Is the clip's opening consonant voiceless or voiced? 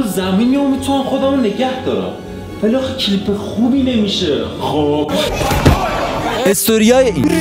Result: voiced